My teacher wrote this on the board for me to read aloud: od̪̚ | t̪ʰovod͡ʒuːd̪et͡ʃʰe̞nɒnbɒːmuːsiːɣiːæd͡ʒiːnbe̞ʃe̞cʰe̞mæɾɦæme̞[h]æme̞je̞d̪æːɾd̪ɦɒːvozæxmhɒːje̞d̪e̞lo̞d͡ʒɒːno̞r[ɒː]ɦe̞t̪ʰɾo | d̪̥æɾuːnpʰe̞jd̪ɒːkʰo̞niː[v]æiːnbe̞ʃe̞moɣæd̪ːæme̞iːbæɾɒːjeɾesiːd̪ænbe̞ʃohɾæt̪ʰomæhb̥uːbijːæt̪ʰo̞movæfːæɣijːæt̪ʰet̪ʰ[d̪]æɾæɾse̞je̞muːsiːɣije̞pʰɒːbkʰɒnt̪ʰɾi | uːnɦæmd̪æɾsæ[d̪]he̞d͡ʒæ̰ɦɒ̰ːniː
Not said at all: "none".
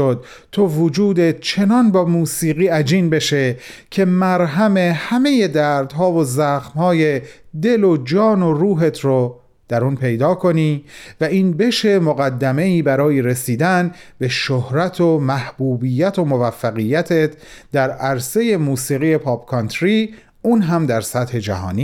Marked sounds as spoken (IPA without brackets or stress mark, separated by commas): h, uː, v, d̪, t̪